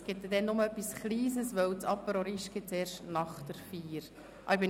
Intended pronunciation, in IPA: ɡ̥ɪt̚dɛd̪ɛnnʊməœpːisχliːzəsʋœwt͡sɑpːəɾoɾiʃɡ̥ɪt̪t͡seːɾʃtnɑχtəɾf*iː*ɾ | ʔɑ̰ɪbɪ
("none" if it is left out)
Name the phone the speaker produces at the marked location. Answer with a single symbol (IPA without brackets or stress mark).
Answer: iː